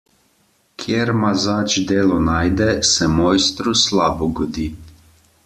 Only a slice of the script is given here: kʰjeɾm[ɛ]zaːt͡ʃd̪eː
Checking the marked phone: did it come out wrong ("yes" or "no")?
yes